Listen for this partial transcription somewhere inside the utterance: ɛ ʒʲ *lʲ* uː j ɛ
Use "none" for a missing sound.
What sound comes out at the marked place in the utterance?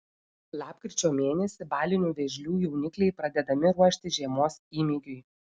lʲ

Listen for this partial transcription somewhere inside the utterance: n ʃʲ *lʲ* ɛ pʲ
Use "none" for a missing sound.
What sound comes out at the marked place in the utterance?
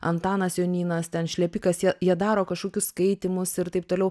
lʲ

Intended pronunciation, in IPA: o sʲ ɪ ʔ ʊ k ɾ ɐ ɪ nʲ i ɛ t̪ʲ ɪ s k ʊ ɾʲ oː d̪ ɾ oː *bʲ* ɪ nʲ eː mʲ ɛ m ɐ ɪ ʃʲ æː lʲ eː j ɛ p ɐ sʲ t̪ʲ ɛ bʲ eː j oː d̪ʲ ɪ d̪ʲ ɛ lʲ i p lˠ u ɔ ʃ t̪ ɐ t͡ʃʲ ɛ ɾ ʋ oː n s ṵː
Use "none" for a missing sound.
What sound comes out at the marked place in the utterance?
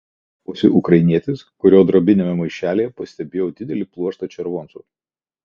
bʲ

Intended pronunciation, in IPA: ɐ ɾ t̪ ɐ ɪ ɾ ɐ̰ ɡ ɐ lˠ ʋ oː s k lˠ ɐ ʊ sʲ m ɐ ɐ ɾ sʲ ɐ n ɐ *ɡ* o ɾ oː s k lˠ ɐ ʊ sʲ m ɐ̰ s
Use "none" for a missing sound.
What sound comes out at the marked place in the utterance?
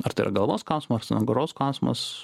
ɡ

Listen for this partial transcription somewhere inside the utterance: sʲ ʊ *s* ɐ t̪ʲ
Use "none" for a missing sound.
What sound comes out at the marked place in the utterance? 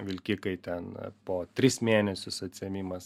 s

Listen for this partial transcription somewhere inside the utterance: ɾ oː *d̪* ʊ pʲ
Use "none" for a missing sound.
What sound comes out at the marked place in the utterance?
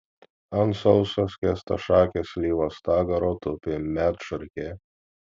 t̪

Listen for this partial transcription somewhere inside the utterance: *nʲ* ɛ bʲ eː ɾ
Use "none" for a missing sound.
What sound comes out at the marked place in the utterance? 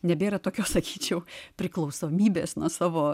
nʲ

